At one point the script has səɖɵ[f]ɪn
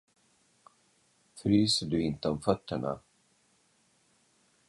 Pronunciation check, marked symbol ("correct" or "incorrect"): incorrect